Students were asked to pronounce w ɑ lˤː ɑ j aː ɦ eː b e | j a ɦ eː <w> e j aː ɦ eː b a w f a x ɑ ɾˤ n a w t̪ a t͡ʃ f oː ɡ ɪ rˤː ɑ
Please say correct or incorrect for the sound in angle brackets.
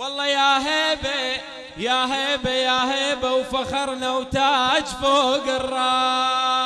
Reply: incorrect